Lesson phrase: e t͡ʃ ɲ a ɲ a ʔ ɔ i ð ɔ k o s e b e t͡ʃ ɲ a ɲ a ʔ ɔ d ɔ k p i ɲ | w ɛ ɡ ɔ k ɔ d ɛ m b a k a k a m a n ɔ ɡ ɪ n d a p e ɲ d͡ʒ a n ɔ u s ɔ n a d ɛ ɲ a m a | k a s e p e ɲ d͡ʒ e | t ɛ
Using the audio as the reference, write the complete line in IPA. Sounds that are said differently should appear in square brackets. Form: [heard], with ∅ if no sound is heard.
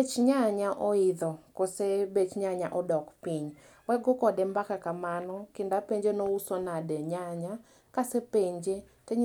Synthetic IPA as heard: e t͡ʃ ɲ a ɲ a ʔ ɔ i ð ɔ k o s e b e t͡ʃ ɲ a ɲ a ʔ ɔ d ɔ k p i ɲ | w ɛ ɡ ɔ k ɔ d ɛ m b a k a k a m a n ɔ [k] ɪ n d a p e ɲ d͡ʒ [e] n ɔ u s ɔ n a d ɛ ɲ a [ɲ] a | k a s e p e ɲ d͡ʒ e | t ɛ